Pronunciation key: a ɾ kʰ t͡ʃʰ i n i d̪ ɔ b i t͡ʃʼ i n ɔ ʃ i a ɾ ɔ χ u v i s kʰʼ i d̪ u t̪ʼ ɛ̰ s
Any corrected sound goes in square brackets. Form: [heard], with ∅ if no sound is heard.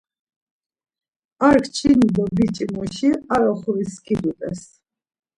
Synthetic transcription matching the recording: a ɾ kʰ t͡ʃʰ i n i d̪ ɔ b i t͡ʃʼ i [m] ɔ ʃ i a ɾ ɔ χ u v i s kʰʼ i d̪ u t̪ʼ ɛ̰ s